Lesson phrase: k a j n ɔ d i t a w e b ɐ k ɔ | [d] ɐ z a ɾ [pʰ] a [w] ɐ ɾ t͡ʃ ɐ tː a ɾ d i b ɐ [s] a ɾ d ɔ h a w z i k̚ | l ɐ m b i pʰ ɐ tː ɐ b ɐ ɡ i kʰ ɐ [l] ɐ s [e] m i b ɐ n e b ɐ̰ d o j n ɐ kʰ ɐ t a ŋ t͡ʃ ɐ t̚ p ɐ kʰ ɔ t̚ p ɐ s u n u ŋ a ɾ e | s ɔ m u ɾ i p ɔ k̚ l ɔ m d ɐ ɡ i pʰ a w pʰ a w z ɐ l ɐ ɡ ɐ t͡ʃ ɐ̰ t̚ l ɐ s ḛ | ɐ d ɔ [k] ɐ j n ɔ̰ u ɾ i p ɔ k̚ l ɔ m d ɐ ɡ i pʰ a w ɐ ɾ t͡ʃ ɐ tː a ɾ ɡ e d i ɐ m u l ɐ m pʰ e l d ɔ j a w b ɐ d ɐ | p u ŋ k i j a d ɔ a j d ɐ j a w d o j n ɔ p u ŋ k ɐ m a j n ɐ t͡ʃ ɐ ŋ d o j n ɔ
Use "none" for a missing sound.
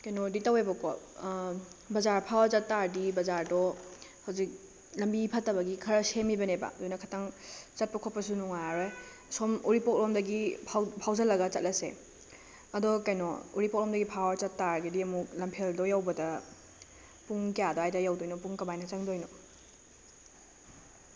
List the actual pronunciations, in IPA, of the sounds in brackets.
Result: b, pʰ, w, z, ɾ, e, k

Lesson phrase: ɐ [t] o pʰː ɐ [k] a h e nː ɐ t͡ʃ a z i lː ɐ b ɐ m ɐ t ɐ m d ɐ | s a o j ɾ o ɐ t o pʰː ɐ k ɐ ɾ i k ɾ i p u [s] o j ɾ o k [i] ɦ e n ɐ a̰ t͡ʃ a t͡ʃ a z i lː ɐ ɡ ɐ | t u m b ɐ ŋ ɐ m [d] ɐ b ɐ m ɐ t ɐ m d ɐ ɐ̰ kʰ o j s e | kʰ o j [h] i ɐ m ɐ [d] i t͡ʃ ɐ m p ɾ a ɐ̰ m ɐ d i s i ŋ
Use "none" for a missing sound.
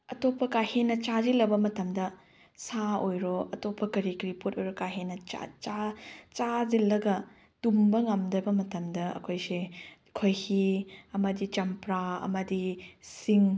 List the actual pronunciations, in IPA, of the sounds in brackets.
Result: t, k, t, a, d, h, d

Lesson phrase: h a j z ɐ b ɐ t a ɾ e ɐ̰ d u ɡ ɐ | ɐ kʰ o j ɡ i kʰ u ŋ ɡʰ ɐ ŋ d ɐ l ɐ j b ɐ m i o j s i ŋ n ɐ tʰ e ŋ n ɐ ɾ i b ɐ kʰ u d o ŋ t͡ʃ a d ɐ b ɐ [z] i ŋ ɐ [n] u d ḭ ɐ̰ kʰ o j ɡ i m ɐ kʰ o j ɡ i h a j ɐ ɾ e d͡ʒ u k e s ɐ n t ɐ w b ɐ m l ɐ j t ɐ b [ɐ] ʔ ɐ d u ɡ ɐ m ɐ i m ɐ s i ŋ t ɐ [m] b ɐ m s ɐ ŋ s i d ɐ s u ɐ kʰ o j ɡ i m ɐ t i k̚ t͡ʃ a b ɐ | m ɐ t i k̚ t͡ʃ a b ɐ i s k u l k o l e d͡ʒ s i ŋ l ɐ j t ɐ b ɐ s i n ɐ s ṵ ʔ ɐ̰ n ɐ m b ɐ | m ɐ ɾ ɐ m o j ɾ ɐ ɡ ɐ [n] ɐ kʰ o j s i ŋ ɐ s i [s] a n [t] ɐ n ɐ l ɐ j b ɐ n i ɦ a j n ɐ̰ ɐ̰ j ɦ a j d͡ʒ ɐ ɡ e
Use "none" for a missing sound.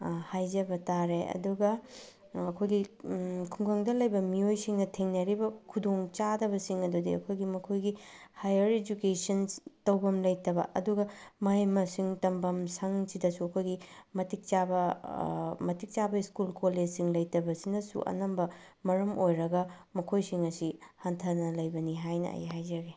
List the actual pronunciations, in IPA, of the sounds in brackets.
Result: s, d, ɐ, m, m, h, tʰ

